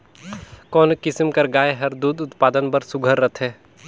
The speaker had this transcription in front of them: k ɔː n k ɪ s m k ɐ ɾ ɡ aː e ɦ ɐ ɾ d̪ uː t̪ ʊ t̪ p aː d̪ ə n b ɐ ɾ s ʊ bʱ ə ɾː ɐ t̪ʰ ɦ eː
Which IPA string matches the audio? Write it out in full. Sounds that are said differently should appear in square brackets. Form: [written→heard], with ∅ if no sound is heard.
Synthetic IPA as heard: k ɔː n k ɪ s m k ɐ ɾ ɡ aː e ɦ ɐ ɾ d̪ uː [t̪→d̪] ʊ t̪ p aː d̪ ə n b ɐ ɾ s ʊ [bʱ→ɡʱ] ə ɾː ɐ t̪ʰ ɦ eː